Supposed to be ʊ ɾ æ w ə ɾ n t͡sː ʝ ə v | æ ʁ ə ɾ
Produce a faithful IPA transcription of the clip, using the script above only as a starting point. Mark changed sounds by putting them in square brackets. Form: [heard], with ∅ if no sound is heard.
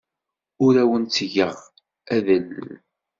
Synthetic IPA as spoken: ʊ ɾ æ w ə [∅] n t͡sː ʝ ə [ʁ] | æ [ð] ə [l]